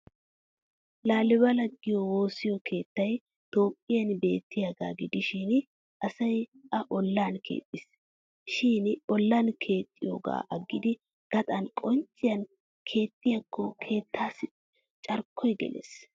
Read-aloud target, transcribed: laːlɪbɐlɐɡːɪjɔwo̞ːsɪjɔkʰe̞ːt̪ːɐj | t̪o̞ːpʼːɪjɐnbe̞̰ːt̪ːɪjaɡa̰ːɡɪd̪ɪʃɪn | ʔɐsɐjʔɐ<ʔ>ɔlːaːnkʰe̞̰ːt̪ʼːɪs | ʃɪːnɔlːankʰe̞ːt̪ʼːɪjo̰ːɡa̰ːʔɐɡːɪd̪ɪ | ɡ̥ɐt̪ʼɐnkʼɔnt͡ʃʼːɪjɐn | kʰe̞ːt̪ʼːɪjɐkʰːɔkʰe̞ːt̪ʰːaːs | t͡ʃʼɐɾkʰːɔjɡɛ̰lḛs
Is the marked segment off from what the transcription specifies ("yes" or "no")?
no